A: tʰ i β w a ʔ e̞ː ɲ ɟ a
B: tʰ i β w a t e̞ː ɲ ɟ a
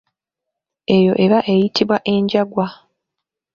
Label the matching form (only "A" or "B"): A